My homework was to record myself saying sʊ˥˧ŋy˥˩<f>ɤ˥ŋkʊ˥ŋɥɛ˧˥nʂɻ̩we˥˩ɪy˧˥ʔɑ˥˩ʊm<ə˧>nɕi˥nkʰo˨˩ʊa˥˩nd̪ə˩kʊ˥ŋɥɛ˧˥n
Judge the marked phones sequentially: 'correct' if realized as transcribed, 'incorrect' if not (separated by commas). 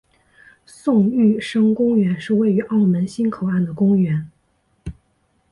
incorrect, incorrect